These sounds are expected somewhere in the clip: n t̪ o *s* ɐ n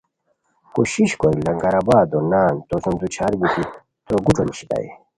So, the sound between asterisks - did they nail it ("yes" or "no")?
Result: yes